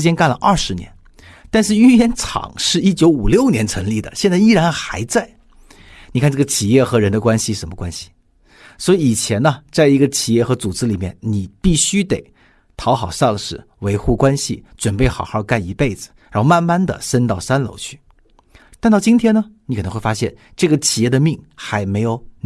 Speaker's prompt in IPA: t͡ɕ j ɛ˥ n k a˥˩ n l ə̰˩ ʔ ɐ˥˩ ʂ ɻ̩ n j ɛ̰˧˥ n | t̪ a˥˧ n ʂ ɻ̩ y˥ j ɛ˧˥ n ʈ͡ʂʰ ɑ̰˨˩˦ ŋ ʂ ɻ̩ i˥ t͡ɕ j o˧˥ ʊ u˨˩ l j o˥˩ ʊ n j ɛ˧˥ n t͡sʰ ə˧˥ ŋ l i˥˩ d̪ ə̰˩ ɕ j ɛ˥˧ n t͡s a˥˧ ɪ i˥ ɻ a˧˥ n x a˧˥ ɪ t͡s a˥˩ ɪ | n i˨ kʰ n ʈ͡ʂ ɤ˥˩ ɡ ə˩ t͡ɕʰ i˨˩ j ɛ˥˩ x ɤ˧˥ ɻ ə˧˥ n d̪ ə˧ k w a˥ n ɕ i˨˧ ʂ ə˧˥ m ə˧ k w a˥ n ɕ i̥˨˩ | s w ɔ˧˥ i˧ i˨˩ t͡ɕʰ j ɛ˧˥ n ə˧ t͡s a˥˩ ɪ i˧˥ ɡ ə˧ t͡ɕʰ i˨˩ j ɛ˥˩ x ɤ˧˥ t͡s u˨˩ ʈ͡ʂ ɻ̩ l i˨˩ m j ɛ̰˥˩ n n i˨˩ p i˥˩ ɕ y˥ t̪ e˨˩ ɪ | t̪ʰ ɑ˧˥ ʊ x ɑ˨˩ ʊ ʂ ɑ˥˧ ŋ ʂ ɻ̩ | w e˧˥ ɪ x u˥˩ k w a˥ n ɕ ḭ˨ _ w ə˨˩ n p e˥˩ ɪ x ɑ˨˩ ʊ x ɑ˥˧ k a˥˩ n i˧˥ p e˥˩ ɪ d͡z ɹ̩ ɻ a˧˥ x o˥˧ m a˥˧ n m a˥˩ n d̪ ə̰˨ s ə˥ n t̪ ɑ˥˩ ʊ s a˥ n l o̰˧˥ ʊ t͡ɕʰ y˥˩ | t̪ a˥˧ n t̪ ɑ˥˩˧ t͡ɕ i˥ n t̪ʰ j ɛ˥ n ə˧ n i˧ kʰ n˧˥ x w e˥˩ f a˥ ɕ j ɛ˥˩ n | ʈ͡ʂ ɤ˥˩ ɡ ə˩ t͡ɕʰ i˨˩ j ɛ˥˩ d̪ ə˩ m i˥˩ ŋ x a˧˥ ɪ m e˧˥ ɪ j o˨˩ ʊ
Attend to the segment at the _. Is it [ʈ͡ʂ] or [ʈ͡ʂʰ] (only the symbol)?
ʈ͡ʂ